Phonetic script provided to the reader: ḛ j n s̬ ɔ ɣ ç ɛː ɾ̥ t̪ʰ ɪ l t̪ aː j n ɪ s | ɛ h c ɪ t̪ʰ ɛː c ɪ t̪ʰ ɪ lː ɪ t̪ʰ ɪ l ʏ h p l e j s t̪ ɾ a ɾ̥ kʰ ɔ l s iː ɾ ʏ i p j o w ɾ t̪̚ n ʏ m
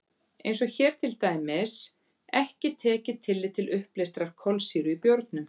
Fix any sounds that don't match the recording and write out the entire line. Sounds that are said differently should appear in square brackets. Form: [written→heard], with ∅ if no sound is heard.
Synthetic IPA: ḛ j n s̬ ɔ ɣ ç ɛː ɾ̥ t̪ʰ ɪ l t̪ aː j [n→m] ɪ s | ɛ h c ɪ t̪ʰ ɛː c ɪ t̪ʰ ɪ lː ɪ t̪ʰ ɪ l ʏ h p l e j s t̪ ɾ a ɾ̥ kʰ ɔ l s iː ɾ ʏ i p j o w ɾ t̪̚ n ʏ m